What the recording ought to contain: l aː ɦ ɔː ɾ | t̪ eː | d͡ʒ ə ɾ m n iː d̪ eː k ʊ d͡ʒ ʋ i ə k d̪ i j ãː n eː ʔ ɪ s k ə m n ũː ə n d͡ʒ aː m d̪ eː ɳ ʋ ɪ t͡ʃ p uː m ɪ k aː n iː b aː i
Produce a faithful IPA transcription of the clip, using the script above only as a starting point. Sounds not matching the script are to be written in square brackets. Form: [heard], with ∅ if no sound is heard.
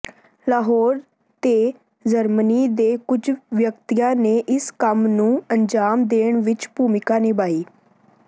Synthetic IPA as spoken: l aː ɦ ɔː ɾ | t̪ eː | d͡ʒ ə ɾ m n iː d̪ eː k ʊ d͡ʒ ʋ [j] ə k [t̪] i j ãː n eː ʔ ɪ s k ə m n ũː ə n d͡ʒ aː m d̪ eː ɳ ʋ ɪ t͡ʃ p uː m ɪ k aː n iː b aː [iː]